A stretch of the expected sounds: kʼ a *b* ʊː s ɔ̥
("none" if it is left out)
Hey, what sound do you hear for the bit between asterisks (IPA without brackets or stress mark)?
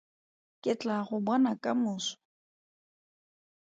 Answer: m